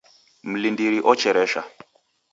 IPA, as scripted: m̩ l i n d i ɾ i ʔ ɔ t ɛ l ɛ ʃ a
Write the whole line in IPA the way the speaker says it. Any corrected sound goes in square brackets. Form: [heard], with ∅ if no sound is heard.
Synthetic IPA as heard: m̩ l i n d i ɾ i ʔ ɔ [t͡ʃ] ɛ [ɾ] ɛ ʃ a